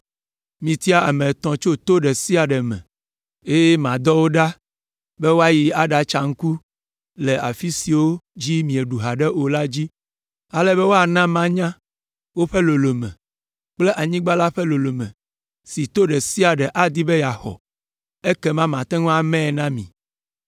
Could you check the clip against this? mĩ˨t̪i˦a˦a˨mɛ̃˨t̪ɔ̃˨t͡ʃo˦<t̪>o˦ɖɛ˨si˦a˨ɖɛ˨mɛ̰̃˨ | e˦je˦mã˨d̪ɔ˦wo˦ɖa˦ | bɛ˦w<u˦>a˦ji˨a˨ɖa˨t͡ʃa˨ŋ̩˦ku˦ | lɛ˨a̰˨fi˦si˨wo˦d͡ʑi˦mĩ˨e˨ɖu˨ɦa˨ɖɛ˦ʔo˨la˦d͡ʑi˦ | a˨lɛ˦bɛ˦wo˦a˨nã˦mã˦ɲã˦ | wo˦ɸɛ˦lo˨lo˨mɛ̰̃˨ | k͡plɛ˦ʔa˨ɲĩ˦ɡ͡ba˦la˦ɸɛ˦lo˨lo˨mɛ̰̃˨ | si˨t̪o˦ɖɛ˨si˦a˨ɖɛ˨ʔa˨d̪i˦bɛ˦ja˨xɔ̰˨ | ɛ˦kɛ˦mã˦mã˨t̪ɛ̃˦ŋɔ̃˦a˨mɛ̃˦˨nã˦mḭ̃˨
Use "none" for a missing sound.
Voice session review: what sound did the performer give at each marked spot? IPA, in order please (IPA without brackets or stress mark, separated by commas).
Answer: t̪, o˦